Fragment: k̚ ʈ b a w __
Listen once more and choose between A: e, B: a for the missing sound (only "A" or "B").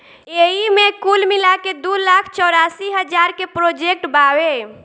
A